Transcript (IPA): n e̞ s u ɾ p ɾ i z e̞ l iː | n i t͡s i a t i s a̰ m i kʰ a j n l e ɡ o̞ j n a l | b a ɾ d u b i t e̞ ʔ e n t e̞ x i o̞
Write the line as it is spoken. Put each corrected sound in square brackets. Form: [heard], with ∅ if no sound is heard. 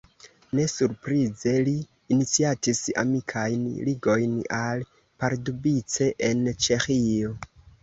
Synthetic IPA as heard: n e̞ s u ɾ p ɾ i z e̞ l iː | n i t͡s i a t i s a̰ m i kʰ a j n l [i] ɡ o̞ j n a l | [p] a ɾ d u b i [t͡s] e̞ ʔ e n [t͡ʃ] e̞ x i o̞